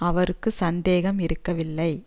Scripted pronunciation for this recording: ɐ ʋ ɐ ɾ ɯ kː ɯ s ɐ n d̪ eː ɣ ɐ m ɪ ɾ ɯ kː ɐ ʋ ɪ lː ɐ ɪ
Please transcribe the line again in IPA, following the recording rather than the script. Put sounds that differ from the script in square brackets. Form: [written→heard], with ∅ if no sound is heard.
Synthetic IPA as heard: ɐ ʋ ɐ ɾ ɯ kː ɯ s ɐ n d̪ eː ɣ ɐ m ɪ ɾ ɯ kː ɐ ʋ ɪ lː ɐ ɪ